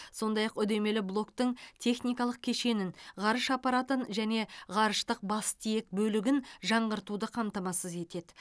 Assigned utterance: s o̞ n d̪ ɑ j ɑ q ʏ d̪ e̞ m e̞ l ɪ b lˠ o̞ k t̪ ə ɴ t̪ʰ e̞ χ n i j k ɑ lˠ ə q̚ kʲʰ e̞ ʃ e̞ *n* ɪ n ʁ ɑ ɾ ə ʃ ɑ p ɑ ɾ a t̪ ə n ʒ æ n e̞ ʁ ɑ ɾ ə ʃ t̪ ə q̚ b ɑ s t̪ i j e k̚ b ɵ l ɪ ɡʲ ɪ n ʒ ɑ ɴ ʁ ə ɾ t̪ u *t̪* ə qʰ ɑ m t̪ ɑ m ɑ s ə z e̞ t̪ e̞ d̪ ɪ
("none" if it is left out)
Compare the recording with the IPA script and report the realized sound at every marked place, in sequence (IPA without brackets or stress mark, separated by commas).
n, d̪